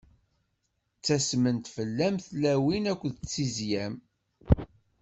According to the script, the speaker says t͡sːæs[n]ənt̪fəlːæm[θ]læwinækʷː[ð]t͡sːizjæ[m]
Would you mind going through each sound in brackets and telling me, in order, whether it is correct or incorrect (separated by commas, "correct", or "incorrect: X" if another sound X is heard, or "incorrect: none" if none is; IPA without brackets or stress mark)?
incorrect: m, correct, correct, correct